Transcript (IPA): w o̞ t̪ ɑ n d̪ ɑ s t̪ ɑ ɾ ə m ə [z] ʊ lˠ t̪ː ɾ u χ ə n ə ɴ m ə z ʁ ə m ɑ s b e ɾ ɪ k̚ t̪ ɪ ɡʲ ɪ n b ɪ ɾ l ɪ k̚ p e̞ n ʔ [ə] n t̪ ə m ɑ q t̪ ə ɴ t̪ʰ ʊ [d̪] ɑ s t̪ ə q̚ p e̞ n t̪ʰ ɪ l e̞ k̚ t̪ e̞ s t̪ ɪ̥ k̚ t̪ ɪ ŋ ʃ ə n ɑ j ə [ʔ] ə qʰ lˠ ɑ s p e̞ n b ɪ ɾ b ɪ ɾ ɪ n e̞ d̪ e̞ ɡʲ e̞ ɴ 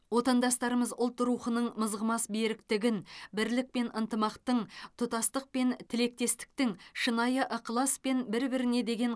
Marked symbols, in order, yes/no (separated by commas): yes, yes, no, yes